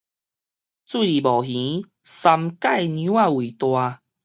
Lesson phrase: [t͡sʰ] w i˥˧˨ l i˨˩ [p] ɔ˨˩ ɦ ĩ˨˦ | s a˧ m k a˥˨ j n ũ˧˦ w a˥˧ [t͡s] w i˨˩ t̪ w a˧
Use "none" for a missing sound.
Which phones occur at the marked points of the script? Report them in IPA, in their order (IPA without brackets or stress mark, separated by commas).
t͡s, b, none